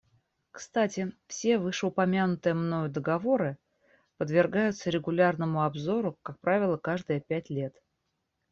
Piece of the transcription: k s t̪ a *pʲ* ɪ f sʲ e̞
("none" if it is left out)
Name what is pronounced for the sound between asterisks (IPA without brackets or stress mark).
tʲ